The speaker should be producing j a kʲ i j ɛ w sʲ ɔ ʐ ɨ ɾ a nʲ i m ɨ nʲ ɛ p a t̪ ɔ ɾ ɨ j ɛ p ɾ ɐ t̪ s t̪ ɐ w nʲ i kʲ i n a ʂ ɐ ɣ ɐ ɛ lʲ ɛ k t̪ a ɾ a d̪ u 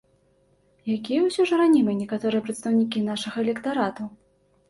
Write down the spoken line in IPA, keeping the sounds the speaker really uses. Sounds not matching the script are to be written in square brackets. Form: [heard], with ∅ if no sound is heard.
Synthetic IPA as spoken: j a kʲ i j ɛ w sʲ ɔ ʐ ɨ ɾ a nʲ i m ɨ nʲ ɛ [k] a t̪ ɔ ɾ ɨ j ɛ p ɾ ɐ t̪ s t̪ ɐ w nʲ i kʲ i n a ʂ ɐ ɣ ɐ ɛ lʲ ɛ k t̪ a ɾ a [t̪] u